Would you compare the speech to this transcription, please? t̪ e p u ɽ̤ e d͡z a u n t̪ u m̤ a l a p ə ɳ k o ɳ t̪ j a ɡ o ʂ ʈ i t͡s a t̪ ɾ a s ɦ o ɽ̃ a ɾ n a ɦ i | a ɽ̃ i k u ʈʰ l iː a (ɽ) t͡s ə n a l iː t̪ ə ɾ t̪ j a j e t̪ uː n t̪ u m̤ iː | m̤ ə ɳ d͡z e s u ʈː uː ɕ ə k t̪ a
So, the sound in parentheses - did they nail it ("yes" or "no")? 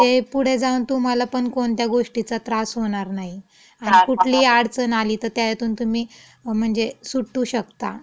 yes